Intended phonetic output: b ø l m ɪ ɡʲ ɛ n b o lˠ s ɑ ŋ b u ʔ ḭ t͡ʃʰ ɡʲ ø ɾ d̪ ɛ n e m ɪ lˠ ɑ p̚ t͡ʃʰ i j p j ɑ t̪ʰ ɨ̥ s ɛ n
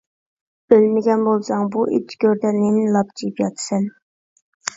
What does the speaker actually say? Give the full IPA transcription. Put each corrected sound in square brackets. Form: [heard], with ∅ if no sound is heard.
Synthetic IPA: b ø l m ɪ ɡʲ ɛ n b o lˠ s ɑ ŋ b u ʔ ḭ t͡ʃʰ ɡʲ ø ɾ d̪ ɛ n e [n] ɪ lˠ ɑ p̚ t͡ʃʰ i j p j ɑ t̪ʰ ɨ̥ s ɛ n